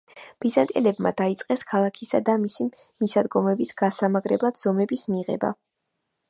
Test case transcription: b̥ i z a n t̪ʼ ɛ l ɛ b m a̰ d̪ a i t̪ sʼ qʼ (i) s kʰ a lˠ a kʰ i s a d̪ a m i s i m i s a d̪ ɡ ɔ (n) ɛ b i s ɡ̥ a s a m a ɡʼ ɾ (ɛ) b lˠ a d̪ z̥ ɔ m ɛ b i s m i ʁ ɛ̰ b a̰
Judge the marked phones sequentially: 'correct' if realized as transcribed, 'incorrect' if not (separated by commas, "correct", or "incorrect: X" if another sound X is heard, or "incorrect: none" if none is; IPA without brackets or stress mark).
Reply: incorrect: ɛ, incorrect: m, correct